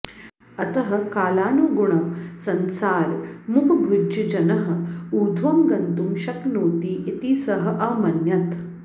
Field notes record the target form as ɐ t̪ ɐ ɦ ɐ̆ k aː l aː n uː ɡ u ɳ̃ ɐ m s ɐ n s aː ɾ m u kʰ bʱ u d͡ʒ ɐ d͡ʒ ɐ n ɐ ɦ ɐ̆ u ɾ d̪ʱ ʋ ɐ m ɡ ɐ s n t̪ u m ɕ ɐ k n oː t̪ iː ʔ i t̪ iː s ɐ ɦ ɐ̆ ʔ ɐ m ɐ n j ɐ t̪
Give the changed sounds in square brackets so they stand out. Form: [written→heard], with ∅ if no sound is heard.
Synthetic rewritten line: ɐ t̪ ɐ ɦ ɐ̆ k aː l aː n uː ɡ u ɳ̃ ɐ m s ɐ n s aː ɾ m u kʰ bʱ u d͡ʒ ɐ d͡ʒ ɐ n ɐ ɦ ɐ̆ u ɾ d̪ʱ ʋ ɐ m ɡ ɐ [s→∅] n t̪ u m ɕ ɐ k n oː t̪ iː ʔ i t̪ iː s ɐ ɦ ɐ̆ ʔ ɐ m ɐ n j ɐ t̪